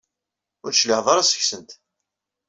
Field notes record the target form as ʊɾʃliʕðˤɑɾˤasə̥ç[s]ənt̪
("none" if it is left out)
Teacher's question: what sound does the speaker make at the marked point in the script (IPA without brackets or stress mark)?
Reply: s